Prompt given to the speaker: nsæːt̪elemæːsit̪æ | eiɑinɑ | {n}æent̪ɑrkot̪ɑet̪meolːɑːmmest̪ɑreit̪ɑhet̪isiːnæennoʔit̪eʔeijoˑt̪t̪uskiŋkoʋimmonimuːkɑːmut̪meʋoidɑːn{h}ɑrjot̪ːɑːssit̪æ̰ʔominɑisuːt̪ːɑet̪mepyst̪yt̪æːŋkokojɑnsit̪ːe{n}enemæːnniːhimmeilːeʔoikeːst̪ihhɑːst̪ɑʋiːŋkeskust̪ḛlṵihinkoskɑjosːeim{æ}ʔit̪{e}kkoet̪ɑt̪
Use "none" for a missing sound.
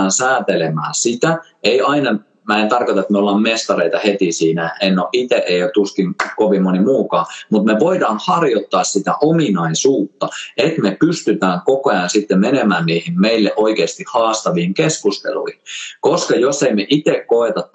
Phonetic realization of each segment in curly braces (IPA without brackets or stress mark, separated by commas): m, h, m, e, e